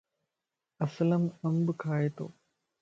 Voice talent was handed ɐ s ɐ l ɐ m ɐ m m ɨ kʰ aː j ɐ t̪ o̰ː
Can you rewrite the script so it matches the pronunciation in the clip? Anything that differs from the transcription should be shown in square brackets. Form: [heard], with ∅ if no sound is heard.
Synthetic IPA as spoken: ɐ s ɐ l ɐ m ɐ m [b] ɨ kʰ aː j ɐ t̪ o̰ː